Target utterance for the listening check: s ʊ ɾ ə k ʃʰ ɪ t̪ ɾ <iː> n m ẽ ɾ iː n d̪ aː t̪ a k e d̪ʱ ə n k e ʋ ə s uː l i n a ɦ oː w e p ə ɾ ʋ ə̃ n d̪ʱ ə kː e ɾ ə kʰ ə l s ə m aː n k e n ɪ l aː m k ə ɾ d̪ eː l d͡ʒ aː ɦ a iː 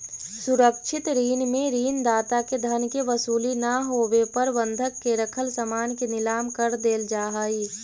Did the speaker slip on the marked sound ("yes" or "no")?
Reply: no